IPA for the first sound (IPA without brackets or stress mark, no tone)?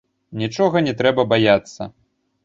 nʲ